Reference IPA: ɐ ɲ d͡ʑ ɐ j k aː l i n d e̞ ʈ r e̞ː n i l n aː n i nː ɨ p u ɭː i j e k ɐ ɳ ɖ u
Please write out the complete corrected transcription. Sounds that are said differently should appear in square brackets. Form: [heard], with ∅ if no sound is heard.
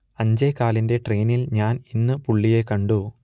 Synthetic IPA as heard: ɐ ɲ d͡ʑ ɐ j k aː l i n d e̞ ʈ r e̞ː n i l [ɲ] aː n i nː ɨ p u ɭː i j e k ɐ ɳ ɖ u